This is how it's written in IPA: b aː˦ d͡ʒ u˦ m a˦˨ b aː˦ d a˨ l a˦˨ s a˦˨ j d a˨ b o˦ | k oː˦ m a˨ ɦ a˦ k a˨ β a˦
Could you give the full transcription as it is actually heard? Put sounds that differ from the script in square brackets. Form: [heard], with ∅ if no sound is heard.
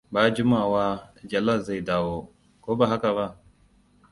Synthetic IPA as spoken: b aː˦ d͡ʒ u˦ m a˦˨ [w] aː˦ [d͡ʒ] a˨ l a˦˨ [z] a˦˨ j d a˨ [w] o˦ | k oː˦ [b] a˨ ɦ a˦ k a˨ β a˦